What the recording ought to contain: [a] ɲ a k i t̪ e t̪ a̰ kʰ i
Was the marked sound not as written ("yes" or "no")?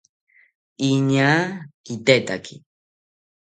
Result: yes